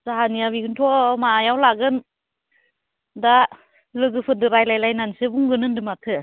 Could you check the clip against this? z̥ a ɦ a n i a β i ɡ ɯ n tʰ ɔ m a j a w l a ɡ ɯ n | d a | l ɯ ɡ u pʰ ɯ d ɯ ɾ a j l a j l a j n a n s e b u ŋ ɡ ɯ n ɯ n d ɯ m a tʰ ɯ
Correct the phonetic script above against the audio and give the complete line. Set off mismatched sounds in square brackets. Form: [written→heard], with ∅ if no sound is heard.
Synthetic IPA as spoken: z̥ a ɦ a n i a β i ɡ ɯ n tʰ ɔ m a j a w l a ɡ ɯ n | d a | l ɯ ɡ [u→ɯ] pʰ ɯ d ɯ ɾ a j l a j l a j n a n s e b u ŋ ɡ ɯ n ɯ n d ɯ m a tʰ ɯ